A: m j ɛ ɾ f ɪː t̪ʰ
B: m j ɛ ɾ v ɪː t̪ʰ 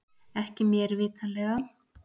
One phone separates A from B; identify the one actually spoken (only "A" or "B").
B